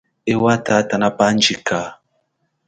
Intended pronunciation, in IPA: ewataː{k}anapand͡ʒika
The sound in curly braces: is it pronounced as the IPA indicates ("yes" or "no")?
no